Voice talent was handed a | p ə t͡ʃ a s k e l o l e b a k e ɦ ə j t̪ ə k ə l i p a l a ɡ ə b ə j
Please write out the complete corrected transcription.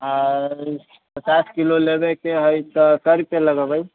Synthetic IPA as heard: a | p ə t͡ʃ a s k i l o l e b e k e ɦ ə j t̪ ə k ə ɾ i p e l ə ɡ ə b ə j